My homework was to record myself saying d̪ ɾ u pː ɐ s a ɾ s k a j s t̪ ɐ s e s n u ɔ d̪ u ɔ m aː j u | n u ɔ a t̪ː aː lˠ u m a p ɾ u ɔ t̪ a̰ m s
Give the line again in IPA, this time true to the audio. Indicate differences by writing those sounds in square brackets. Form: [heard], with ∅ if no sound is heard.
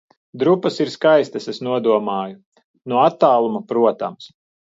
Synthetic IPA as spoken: d̪ ɾ u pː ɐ s [i] ɾ s k a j s t̪ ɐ s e s n u ɔ d̪ u ɔ m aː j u | n u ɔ a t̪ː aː lˠ u m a p ɾ u ɔ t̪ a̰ m s